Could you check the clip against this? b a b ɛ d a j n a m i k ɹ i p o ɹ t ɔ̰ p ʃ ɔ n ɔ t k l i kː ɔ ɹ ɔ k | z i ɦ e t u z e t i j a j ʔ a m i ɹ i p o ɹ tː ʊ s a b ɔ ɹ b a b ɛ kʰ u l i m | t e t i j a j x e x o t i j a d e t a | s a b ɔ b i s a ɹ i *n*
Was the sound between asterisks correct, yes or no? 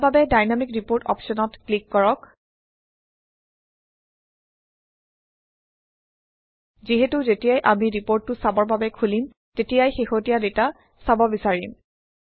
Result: no